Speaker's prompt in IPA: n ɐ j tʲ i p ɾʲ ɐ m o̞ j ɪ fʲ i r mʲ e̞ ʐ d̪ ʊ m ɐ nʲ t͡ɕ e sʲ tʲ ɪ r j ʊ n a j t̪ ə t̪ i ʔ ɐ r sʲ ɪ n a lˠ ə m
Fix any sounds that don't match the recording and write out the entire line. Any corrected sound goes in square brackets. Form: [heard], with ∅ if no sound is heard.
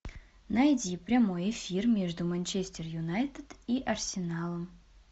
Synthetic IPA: n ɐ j [dʲ] i p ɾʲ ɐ m o̞ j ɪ fʲ i r mʲ e̞ ʐ d̪ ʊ m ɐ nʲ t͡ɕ e sʲ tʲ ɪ r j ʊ n a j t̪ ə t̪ i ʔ ɐ r sʲ ɪ n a lˠ ə m